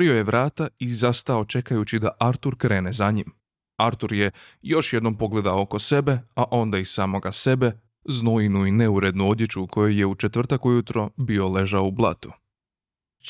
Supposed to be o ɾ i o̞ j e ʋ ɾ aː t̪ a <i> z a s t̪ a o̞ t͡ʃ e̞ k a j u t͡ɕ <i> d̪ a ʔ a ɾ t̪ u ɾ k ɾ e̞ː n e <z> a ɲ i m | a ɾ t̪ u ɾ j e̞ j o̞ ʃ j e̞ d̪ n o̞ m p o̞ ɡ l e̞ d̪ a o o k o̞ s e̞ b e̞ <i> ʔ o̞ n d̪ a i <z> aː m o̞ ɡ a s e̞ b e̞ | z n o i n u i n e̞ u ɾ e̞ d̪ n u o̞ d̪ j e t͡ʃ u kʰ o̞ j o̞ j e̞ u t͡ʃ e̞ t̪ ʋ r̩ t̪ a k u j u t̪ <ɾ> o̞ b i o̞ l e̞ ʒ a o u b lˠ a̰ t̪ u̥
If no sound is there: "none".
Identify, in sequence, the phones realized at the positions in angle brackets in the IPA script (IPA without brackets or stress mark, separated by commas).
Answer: i, i, z, a, s, ɾ